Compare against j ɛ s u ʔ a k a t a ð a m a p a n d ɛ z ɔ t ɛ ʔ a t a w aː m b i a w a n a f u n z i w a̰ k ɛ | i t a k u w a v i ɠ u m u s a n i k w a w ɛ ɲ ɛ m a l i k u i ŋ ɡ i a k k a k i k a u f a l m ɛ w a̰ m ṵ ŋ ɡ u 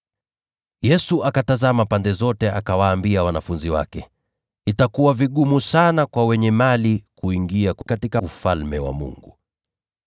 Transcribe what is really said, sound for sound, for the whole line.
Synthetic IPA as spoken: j ɛ s u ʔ a k a t a z a m a p a n d ɛ z ɔ t ɛ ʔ a k a w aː m b i a w a n a f u n z i w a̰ k ɛ | i t a k u w a v i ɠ u m u s a n a k w a w ɛ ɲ ɛ m a l i k u i ŋ ɡ i a k k a t i k a u f a l m ɛ w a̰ m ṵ ŋ ɡ u